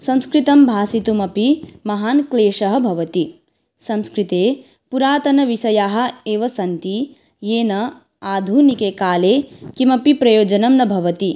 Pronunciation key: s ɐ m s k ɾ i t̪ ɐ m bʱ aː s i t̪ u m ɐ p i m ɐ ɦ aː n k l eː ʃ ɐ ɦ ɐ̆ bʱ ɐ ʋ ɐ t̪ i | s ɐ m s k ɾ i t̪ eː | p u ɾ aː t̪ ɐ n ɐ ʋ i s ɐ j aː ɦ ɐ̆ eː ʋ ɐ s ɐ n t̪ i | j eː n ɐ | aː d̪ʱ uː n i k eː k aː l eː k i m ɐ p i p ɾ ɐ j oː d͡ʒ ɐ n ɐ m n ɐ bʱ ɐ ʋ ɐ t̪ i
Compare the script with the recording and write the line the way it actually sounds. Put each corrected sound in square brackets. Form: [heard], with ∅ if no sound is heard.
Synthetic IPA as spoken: s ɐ m s k ɾ i t̪ ɐ m bʱ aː s i t̪ u m ɐ p i m ɐ ɦ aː n k l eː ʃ ɐ ɦ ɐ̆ bʱ ɐ ʋ ɐ t̪ i | s ɐ m s k ɾ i t̪ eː | p u ɾ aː t̪ ɐ n ɐ ʋ i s ɐ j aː ɦ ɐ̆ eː ʋ ɐ s ɐ n t̪ i | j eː n ɐ | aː d̪ʱ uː n i k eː k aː l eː k i m ɐ p i p ɾ ɐ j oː d͡ʒ ɐ n ɐ m n ɐ bʱ ɐ ʋ ɐ t̪ i